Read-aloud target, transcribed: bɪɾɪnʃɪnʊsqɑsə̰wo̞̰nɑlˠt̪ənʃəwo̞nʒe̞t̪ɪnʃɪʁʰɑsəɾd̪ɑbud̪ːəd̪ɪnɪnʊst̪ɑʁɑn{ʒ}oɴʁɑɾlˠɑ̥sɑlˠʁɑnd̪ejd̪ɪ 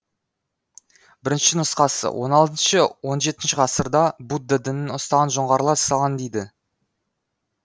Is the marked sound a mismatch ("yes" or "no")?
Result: no